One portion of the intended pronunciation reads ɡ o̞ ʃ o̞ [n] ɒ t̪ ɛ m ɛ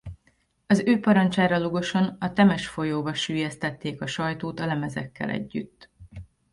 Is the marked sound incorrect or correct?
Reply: correct